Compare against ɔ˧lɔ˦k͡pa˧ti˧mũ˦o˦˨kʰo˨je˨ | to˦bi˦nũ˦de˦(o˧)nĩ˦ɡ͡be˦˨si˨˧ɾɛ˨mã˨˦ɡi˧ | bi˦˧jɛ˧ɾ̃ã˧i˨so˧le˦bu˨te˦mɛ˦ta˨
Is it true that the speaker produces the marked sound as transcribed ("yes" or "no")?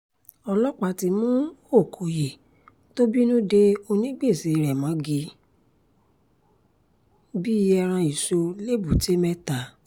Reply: yes